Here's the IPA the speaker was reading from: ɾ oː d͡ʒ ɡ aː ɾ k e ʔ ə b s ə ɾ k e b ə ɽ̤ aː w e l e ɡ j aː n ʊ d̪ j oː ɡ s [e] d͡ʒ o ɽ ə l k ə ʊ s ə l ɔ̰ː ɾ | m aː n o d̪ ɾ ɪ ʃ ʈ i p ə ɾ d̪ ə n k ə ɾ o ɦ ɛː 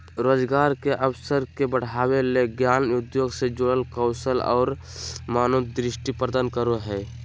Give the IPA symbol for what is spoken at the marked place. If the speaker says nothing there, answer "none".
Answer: e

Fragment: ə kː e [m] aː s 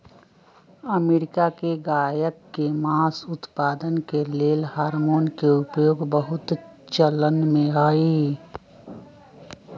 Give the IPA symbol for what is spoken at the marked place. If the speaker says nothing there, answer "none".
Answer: m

